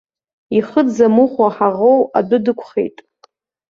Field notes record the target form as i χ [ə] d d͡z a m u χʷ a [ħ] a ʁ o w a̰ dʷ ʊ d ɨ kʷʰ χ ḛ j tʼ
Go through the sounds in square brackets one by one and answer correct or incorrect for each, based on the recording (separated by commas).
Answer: correct, correct